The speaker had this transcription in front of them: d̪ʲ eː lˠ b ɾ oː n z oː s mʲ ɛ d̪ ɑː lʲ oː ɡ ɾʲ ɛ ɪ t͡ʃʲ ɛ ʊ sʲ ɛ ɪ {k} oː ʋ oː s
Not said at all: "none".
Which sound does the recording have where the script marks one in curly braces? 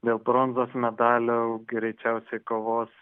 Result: k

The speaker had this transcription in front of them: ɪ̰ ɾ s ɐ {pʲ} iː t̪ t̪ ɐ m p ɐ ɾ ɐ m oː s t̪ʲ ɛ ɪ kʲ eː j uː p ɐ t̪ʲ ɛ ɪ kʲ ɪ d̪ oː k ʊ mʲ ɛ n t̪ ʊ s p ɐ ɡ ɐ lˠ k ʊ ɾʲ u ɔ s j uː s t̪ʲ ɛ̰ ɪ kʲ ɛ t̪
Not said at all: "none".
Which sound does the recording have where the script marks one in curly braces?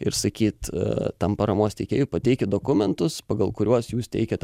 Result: kʲ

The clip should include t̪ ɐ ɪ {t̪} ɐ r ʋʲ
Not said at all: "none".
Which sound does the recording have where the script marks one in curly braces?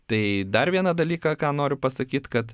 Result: d̪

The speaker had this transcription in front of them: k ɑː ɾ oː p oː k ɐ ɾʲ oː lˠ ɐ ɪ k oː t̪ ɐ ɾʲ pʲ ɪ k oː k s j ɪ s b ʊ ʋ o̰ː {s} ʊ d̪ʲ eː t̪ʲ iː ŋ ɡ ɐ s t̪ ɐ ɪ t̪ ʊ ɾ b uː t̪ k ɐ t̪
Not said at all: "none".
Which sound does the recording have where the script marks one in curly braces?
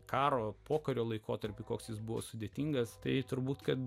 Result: s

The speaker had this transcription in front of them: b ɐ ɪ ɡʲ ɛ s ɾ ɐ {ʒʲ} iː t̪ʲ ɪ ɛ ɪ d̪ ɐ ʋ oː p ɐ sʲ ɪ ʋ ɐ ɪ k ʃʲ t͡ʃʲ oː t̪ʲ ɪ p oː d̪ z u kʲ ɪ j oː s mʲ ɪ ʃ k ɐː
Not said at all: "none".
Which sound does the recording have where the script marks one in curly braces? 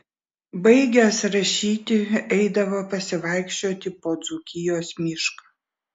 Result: ʃʲ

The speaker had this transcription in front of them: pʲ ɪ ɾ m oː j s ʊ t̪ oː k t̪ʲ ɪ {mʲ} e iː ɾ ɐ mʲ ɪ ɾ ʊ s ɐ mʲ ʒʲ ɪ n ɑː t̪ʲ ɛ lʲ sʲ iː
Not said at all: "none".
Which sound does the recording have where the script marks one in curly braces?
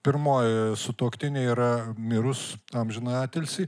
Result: nʲ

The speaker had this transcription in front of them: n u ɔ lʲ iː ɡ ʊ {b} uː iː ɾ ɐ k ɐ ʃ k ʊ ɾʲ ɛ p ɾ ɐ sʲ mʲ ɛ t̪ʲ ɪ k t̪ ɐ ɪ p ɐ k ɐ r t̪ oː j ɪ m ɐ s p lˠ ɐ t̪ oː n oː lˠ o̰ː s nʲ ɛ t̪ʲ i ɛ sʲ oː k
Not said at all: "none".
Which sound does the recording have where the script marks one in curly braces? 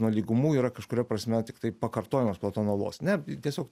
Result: m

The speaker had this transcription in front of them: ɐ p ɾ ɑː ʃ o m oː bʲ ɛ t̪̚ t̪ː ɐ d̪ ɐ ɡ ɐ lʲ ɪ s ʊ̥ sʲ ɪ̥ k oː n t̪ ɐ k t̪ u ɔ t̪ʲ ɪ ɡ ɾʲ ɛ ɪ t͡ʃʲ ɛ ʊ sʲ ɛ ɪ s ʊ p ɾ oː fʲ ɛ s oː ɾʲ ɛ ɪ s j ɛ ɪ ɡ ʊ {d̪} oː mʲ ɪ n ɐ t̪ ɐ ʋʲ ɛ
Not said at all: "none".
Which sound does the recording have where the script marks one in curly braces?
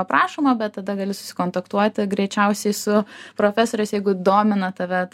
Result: d̪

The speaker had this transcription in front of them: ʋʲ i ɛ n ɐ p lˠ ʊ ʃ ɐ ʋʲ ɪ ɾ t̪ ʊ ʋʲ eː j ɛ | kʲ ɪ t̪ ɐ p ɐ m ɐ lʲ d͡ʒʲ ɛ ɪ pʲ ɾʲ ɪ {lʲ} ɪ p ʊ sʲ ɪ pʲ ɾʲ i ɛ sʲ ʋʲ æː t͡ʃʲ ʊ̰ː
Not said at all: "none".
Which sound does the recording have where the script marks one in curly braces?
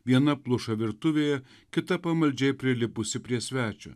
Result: lʲ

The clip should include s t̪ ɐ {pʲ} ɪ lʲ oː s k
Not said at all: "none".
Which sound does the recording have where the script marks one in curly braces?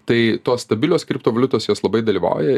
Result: bʲ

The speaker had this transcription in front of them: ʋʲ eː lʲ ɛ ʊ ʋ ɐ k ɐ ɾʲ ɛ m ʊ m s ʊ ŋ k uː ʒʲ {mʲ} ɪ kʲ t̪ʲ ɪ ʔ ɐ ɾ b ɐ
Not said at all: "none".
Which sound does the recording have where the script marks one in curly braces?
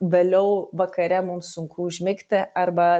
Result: mʲ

